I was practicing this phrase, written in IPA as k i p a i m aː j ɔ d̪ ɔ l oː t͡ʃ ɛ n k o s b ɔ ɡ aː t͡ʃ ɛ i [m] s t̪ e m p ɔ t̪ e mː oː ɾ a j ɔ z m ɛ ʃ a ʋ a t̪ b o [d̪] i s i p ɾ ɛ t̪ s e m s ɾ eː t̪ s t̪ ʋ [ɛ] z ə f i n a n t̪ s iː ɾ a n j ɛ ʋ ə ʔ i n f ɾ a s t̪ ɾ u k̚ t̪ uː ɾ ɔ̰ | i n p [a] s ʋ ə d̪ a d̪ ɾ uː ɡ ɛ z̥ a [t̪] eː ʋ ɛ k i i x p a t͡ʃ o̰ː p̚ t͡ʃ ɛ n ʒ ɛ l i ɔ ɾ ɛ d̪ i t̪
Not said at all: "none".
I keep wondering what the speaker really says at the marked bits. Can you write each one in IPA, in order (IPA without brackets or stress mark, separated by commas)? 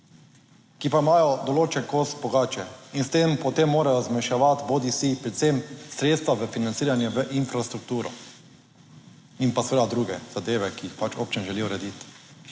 n, d̪, a, a, d̪